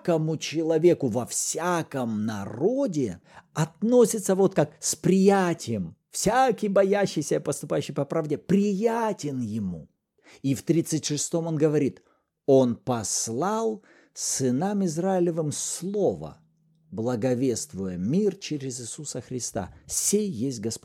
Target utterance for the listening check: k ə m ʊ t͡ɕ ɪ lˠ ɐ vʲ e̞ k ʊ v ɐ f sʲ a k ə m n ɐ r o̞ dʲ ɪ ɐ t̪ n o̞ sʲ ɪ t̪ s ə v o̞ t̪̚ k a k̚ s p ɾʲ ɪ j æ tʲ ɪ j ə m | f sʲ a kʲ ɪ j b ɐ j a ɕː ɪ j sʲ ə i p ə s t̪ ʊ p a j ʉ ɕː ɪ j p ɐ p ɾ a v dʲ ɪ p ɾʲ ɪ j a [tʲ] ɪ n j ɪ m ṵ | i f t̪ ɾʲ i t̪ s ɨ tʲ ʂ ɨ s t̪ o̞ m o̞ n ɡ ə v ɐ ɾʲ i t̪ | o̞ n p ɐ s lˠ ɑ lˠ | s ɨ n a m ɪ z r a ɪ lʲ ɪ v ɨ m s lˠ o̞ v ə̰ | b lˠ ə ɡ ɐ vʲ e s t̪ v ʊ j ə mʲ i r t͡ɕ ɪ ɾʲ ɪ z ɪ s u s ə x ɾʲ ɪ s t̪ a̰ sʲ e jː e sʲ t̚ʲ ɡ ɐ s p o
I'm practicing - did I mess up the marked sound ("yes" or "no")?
no